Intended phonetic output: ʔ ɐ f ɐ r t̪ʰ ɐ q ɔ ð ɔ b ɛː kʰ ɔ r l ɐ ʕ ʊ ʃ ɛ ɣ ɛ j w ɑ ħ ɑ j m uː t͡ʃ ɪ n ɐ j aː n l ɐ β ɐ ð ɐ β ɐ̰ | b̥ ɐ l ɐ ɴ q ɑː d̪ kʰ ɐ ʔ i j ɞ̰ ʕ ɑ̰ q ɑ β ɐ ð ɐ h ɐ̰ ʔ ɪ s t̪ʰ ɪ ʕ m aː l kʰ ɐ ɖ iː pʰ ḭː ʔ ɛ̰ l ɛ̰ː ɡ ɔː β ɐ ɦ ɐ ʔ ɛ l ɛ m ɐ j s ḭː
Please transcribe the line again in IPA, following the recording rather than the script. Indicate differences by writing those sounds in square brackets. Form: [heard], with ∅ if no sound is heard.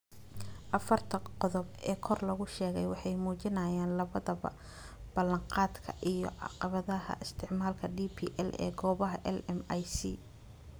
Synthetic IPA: ʔ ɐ f ɐ r t̪ʰ ɐ q ɔ ð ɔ b ɛː kʰ ɔ r l ɐ [ɣ] ʊ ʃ [ɛː] ɣ ɛ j w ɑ ħ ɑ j m uː t͡ʃ ɪ n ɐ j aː n l ɐ β ɐ ð ɐ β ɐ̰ | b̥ ɐ l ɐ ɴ q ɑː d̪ kʰ ɐ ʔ i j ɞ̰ ʕ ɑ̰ q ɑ β ɐ ð ɐ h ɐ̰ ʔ ɪ s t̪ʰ ɪ ʕ m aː l kʰ ɐ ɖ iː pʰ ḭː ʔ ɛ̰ l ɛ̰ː ɡ ɔː β ɐ ɦ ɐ ʔ ɛ l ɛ m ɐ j s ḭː